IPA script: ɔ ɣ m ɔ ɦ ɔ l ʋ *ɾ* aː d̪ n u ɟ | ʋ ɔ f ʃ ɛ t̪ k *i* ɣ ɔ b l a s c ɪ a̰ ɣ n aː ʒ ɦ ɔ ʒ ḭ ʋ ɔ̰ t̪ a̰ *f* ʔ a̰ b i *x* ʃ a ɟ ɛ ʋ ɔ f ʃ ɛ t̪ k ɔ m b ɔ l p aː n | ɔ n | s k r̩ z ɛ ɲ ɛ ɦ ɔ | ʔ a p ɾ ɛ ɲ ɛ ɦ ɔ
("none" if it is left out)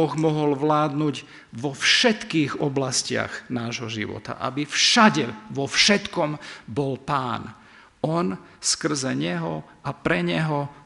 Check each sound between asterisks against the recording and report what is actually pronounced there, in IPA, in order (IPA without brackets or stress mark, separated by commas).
l, iː, none, f